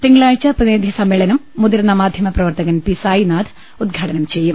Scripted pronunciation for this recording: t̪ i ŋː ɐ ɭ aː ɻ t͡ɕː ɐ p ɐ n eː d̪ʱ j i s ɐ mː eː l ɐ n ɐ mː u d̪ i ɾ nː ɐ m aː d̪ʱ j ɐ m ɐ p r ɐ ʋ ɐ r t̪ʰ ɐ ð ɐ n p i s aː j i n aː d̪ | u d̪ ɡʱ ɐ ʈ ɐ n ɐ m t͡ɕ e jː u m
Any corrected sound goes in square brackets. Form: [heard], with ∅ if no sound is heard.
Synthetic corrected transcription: t̪ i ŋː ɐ ɭ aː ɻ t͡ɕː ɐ p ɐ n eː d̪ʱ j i s ɐ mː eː [ɭ] ɐ n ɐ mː u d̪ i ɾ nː ɐ m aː d̪ʱ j ɐ m ɐ p r ɐ ʋ ɐ r [t̪] ɐ [ɣ] ɐ n p i s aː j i n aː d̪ | u d̪ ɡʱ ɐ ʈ ɐ n ɐ m t͡ɕ e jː u m